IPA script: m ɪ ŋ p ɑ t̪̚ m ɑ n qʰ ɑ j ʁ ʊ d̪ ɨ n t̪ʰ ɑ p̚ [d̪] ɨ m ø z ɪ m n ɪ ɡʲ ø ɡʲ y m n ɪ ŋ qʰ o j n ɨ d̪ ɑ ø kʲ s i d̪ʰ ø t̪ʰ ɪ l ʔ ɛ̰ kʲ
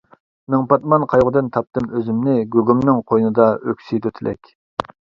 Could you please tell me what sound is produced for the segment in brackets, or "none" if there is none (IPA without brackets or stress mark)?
t̪